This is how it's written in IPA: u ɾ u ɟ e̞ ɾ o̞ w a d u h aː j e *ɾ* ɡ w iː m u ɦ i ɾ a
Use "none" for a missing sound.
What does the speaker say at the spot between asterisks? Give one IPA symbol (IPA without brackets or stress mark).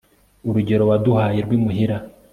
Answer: ɾ